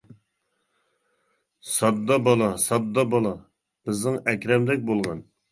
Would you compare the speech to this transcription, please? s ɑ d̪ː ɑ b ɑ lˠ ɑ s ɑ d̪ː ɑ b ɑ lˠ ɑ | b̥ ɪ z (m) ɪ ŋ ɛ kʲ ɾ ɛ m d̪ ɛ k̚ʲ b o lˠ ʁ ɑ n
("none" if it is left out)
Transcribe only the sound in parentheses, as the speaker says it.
n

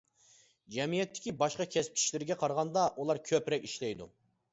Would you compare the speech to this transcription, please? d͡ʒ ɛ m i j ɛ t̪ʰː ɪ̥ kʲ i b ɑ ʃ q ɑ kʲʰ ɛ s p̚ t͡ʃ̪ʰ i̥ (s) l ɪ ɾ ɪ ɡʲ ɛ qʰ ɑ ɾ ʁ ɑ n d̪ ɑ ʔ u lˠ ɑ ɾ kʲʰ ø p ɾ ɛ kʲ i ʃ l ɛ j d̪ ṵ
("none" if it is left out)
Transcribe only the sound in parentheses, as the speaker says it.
ʃ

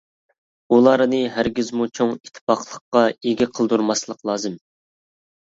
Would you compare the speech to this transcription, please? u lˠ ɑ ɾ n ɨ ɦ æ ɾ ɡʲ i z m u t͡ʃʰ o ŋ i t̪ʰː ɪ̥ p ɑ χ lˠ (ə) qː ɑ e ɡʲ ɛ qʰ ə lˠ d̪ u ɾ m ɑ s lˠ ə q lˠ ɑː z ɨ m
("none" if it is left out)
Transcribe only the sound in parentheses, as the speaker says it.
ə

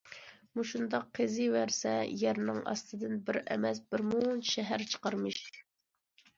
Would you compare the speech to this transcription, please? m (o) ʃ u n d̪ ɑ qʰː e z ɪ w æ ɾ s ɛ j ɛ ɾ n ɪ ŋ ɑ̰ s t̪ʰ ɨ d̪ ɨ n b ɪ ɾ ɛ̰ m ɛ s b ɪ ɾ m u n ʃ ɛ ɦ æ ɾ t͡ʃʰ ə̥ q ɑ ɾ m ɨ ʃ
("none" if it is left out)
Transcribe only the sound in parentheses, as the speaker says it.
u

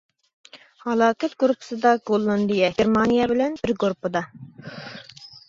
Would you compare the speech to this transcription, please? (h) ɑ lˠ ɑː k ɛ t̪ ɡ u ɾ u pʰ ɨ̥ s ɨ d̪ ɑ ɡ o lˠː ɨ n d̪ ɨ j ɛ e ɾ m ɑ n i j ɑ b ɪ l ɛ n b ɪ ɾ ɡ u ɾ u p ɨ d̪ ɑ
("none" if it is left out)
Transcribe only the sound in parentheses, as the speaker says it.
h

